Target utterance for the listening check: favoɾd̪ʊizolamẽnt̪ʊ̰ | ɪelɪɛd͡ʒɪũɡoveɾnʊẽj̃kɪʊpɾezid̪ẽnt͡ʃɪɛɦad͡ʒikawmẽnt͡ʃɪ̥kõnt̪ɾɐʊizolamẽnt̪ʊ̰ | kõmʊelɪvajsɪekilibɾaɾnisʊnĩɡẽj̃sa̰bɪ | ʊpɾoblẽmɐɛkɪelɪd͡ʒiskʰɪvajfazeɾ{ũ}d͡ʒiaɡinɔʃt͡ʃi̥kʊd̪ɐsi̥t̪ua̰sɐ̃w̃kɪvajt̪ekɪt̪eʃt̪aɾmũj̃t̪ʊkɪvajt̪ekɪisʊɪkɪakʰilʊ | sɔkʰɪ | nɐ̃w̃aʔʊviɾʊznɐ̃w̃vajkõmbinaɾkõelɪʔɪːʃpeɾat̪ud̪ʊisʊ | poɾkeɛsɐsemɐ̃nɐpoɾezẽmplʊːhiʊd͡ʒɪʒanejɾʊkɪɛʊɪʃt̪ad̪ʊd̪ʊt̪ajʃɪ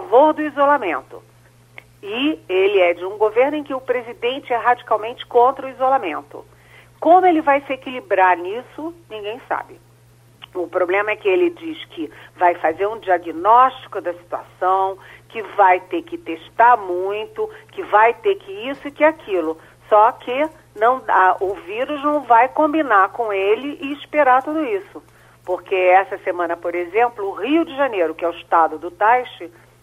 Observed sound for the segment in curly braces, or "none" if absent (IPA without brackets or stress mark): ũ